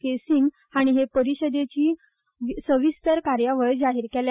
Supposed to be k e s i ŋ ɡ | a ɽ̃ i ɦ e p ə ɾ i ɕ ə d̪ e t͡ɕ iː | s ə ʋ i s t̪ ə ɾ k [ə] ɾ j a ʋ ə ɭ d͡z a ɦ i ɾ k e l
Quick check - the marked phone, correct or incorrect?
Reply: incorrect